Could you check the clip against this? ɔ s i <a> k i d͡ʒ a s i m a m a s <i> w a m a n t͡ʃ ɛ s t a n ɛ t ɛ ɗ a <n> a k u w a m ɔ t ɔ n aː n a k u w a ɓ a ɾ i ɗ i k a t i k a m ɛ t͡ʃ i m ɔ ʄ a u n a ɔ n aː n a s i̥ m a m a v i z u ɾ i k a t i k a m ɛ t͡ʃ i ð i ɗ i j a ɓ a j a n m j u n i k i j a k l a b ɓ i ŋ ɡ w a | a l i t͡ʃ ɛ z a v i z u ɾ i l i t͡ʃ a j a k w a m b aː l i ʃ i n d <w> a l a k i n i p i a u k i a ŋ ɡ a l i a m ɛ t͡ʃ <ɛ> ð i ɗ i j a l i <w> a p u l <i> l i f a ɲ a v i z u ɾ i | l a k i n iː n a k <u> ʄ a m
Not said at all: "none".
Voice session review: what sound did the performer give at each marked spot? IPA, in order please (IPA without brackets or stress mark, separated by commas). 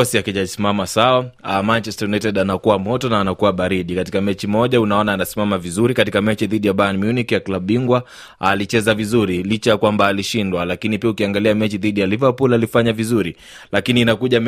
a, a, n, w, i, v, a, u